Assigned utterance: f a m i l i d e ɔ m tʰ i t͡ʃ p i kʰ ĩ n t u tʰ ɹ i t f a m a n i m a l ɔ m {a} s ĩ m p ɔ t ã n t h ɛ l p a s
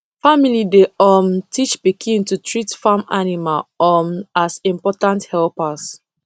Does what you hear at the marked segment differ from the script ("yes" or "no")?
no